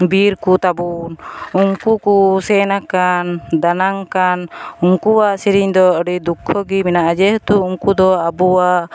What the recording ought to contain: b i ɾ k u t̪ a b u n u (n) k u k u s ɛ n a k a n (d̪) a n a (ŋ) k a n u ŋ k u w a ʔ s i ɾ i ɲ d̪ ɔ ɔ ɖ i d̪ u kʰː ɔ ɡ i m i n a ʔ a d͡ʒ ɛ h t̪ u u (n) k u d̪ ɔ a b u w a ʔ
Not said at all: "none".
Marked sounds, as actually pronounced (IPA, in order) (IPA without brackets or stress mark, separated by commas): ŋ, d̪, ŋ, ŋ